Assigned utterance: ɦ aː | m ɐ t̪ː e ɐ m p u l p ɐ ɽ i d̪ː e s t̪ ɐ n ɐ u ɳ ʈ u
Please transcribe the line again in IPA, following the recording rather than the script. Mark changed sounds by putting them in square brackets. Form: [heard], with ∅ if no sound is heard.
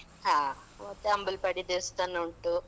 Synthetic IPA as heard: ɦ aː | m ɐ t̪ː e ɐ m [b] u l p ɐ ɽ i [d̪] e s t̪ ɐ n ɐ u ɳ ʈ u